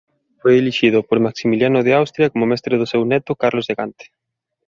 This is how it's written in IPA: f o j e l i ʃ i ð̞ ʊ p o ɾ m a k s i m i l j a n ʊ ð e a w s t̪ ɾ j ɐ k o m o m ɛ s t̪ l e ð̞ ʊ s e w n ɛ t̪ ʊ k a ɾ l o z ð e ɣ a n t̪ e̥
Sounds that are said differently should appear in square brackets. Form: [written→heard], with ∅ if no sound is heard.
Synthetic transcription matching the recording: f o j e l i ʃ i ð̞ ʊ p o ɾ m a k s i m i l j a n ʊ ð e a w s t̪ ɾ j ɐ k o m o m ɛ s t̪ [l→ɾ] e ð̞ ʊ s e w n ɛ t̪ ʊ k a ɾ l o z ð e ɣ a n t̪ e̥